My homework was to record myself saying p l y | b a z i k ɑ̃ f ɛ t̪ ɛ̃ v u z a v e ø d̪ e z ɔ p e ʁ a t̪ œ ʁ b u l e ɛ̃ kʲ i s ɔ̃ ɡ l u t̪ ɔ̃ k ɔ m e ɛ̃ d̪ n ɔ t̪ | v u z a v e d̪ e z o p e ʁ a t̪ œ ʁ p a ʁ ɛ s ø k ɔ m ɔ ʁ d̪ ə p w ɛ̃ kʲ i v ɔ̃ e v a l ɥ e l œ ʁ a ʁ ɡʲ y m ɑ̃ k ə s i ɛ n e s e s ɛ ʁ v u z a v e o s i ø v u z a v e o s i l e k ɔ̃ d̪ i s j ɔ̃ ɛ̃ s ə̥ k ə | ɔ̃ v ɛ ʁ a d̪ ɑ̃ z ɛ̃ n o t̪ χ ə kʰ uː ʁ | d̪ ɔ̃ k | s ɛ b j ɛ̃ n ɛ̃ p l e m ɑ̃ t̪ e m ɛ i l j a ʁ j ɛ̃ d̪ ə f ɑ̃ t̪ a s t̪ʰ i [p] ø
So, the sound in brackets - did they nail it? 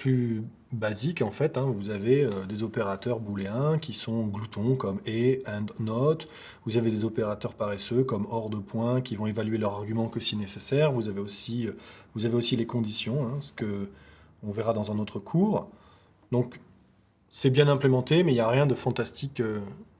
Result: no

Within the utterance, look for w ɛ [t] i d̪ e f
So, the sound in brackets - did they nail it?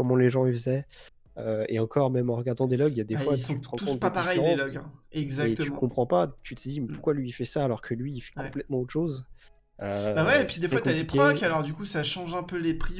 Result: no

